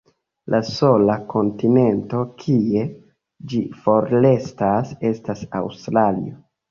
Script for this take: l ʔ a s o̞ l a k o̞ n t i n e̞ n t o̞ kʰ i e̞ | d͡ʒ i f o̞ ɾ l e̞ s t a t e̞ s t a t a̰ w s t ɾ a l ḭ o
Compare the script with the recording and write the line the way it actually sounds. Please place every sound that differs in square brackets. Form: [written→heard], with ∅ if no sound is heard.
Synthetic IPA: l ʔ a s o̞ l a k o̞ n t i n e̞ n t o̞ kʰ i e̞ | d͡ʒ i f o̞ ɾ l e̞ s t a [t→s] e̞ s t a [t→s] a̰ w s t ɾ a l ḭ o